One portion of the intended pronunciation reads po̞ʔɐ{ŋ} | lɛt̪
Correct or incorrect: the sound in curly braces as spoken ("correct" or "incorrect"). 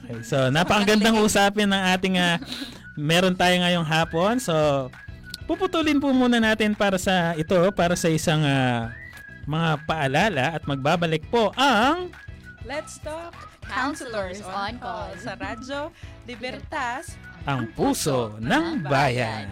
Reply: correct